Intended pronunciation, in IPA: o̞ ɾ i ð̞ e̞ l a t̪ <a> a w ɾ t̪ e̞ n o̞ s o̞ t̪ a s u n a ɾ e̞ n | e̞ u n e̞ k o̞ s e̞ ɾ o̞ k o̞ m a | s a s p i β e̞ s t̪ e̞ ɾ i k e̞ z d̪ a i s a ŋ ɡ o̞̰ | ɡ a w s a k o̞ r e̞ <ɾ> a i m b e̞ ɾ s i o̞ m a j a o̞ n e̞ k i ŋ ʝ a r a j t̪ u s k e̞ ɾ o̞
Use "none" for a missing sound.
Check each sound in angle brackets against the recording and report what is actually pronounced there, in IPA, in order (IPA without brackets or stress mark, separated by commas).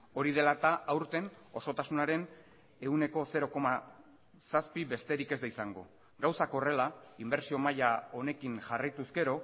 a, l